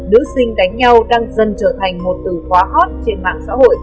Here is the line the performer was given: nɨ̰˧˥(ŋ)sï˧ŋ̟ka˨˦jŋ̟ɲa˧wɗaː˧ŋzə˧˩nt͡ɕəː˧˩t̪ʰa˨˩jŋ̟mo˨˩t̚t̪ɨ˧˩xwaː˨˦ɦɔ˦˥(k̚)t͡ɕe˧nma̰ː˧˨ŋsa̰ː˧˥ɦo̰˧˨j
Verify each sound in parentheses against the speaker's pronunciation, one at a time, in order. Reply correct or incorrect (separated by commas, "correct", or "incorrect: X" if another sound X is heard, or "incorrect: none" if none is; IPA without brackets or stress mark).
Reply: incorrect: none, incorrect: t̚